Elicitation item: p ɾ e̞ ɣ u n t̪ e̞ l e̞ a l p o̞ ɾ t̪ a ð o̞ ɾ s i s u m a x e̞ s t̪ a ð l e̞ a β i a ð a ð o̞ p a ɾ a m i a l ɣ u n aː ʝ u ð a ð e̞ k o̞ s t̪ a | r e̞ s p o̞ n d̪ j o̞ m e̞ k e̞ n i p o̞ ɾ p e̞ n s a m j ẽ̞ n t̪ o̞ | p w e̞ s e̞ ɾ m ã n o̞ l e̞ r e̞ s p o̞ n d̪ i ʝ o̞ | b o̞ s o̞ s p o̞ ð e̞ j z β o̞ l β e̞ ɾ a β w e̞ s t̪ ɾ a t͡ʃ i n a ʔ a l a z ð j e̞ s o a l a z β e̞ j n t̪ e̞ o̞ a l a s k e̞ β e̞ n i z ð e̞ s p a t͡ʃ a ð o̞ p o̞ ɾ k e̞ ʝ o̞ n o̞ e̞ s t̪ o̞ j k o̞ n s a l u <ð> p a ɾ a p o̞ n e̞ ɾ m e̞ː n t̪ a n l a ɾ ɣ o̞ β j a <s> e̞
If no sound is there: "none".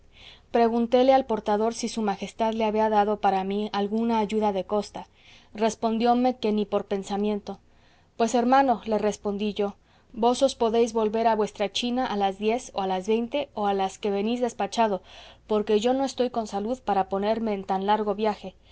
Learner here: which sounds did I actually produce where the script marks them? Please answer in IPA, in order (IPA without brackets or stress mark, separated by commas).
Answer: ð, x